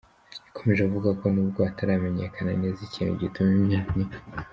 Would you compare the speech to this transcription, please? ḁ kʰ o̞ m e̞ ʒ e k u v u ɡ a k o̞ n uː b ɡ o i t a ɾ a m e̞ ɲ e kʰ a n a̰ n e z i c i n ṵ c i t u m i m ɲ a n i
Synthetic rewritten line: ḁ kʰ o̞ m e̞ ʒ e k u v u ɡ a k o̞ n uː b ɡ o a t a ɾ a m e̞ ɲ e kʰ a n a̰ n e z i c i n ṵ ɟ i t u m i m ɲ a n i